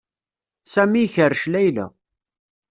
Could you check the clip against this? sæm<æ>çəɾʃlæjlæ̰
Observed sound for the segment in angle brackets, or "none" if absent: i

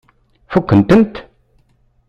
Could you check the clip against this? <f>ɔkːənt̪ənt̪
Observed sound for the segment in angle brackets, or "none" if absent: f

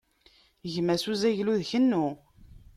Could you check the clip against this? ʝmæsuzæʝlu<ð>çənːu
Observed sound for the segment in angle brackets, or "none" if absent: ð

